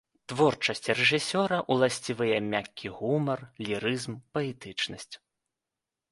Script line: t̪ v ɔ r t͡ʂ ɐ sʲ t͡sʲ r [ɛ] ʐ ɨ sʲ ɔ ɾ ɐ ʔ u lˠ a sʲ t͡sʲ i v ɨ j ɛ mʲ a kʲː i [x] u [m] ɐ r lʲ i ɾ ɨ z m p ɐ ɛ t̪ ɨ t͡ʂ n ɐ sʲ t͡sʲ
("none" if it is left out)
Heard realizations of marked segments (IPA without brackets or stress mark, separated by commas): ɛ, ɣ, m